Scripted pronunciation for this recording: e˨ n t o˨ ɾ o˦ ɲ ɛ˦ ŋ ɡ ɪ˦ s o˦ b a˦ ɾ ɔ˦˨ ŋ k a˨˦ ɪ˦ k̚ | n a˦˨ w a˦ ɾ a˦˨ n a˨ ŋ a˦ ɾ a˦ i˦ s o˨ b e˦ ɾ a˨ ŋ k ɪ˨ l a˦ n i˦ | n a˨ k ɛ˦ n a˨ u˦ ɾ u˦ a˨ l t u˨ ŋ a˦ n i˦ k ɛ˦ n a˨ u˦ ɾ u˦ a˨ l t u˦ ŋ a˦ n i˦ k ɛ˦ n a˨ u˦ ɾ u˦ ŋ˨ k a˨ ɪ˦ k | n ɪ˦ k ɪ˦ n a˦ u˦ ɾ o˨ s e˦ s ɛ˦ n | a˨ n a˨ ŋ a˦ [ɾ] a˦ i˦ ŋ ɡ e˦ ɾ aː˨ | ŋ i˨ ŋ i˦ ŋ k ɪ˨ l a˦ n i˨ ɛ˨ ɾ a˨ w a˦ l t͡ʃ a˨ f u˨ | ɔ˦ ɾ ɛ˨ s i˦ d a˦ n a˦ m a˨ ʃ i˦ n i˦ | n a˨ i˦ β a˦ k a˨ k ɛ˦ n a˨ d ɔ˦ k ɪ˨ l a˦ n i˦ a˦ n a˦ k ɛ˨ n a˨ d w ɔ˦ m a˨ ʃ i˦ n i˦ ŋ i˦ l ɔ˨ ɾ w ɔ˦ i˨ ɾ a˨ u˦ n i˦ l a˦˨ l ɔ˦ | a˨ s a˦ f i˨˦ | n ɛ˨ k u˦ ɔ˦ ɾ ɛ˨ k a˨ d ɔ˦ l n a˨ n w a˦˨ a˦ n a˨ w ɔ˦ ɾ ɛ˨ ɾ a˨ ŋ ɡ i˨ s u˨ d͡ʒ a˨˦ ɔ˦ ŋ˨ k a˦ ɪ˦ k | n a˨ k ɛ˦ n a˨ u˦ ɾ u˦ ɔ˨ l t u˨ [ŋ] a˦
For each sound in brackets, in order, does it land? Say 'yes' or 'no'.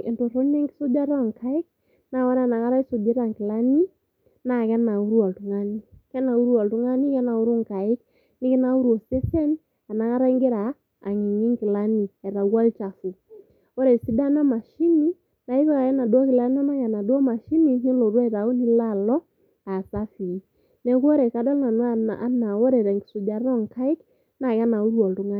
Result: yes, yes

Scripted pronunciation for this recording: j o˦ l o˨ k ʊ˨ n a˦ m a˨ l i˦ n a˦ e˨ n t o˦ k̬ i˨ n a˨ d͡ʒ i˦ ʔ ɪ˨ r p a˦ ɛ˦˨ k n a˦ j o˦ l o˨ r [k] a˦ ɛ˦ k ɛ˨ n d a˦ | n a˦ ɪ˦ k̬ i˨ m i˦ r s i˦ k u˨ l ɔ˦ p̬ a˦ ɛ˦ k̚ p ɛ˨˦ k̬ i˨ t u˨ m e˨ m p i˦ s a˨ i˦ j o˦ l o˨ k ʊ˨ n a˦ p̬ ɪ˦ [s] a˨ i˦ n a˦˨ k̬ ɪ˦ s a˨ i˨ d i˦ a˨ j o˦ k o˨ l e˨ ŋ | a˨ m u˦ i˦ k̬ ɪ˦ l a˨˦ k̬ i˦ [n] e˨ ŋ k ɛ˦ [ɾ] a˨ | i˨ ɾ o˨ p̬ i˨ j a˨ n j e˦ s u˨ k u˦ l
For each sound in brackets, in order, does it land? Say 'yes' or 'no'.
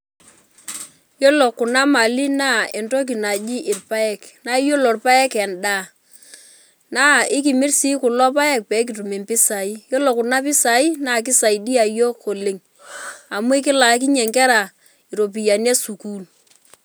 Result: no, yes, no, yes

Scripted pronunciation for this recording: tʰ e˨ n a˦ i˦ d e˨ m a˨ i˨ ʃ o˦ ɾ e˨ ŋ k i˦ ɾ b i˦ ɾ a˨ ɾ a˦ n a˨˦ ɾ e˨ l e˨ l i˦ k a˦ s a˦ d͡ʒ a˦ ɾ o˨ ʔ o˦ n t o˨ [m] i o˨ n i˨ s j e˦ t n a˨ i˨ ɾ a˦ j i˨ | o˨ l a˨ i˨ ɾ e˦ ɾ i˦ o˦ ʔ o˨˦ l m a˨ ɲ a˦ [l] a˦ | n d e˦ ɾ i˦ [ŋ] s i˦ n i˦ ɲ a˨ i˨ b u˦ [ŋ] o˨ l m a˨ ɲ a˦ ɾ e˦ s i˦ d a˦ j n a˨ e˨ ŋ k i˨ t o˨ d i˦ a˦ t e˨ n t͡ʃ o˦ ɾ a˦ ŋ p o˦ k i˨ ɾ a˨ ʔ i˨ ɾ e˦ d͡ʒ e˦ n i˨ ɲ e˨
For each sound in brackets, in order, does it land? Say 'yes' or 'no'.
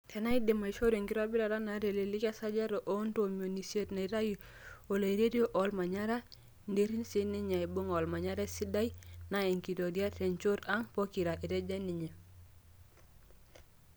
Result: yes, no, no, yes

